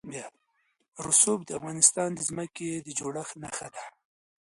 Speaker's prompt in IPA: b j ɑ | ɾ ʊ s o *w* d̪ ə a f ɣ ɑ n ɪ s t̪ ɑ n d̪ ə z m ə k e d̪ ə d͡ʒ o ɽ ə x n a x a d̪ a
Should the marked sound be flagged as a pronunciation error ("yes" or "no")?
yes